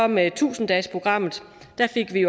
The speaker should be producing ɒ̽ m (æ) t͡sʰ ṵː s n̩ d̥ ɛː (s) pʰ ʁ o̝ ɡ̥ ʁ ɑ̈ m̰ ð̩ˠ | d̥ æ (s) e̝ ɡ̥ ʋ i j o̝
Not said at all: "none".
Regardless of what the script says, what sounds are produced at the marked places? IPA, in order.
e, s, f

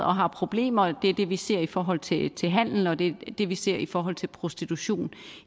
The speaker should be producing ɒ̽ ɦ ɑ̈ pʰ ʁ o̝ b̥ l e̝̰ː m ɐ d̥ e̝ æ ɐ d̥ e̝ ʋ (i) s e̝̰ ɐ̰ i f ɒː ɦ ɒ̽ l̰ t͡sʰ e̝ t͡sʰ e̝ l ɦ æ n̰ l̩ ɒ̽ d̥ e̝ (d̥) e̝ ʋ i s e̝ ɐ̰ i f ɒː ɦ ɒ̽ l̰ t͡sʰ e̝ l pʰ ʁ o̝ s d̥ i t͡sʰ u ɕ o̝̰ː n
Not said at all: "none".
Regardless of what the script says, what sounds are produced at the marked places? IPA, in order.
i, d̥

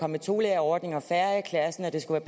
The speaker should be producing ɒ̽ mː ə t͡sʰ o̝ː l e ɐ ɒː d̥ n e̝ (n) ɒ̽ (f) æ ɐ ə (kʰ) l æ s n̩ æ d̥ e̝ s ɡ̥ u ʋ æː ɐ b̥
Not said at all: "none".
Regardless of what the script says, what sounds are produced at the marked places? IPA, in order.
ŋ, f, kʰ

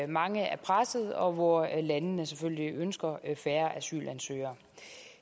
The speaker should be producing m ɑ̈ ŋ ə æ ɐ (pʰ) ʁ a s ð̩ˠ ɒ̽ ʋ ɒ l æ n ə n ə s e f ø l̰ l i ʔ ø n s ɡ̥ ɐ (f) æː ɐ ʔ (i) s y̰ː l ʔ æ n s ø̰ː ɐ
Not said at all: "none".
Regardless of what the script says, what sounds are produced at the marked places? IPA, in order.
pʰ, f, æ

